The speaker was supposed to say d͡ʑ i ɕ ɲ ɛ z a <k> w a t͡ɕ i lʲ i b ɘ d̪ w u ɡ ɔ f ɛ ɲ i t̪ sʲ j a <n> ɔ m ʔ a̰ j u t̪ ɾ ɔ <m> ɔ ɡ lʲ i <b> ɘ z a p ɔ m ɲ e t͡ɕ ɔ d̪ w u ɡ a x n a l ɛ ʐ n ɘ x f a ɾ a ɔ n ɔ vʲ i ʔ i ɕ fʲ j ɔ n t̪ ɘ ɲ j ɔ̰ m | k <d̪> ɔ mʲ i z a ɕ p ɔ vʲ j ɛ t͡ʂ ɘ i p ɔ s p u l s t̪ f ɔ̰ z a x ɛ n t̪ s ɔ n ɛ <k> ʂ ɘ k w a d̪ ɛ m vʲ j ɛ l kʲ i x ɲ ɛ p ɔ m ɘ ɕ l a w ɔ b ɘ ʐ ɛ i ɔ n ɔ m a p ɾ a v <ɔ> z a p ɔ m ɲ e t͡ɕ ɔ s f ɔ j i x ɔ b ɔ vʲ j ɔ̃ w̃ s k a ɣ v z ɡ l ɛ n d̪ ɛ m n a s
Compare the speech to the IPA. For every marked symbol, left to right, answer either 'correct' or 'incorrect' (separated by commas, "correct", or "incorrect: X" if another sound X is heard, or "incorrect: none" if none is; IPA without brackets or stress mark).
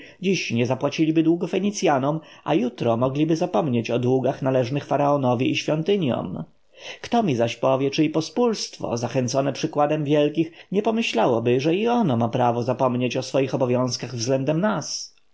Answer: incorrect: p, correct, correct, correct, incorrect: t̪, incorrect: p, correct